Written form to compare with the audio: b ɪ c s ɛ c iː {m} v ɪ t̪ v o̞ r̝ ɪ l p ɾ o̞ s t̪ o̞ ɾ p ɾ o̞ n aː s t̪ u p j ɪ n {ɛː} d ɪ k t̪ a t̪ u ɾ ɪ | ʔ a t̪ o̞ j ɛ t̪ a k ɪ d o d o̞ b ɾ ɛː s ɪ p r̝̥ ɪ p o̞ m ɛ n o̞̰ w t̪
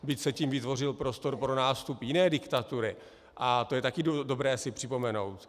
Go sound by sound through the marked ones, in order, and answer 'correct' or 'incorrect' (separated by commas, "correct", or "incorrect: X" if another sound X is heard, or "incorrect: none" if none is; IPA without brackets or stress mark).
correct, correct